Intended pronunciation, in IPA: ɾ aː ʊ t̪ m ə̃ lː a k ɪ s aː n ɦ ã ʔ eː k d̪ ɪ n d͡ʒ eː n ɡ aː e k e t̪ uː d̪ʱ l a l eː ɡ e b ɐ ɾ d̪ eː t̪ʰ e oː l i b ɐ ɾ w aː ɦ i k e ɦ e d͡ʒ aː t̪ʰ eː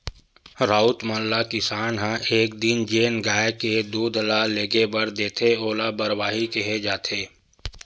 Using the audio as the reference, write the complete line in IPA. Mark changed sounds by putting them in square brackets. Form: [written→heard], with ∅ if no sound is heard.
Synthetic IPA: ɾ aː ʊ t̪ m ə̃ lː a k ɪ s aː n ɦ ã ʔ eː k d̪ ɪ n d͡ʒ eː n ɡ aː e k e [t̪→d̪] uː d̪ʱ l a l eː ɡ e b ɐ ɾ d̪ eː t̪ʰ e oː l [i→a] b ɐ ɾ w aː ɦ i k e ɦ e d͡ʒ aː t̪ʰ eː